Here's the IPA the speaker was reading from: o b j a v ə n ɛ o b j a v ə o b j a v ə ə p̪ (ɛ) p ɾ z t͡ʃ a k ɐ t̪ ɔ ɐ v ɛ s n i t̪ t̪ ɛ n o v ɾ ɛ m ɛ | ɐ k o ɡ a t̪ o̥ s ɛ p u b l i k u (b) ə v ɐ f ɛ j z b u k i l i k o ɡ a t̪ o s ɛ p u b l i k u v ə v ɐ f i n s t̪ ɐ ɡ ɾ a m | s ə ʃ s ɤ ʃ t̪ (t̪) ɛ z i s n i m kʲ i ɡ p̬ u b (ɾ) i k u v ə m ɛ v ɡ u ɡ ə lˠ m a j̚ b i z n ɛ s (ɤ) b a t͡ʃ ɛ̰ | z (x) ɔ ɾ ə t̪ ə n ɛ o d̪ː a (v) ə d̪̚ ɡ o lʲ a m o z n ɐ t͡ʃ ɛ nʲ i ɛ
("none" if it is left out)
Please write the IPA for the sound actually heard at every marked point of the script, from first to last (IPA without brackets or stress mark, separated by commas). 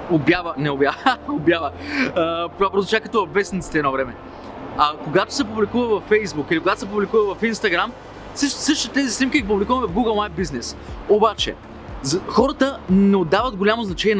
a, v, t̪, l, o, x, v